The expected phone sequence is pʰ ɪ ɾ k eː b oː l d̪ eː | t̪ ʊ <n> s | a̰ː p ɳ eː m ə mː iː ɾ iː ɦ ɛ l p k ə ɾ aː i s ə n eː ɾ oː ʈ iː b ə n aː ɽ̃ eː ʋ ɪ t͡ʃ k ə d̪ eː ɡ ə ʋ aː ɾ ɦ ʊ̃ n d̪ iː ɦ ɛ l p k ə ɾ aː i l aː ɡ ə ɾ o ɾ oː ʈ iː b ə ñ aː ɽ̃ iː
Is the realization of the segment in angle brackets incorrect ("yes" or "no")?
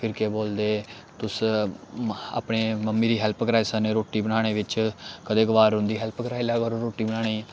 yes